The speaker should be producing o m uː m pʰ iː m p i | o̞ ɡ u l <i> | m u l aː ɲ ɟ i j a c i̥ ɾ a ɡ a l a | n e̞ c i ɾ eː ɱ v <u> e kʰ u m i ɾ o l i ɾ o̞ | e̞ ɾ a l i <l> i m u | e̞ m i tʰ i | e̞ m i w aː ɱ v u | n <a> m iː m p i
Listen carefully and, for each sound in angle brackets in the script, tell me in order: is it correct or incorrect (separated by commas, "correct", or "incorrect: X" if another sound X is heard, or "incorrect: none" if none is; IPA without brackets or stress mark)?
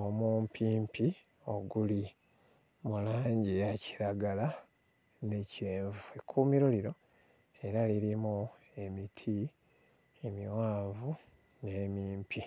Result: correct, correct, incorrect: ɾ, incorrect: e